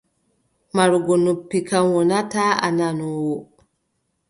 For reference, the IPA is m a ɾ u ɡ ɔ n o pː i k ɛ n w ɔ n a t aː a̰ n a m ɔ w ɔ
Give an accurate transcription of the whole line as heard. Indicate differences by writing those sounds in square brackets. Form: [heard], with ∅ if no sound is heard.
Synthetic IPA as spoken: m a ɾ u ɡ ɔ n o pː i k [a] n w ɔ n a t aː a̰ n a [n] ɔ w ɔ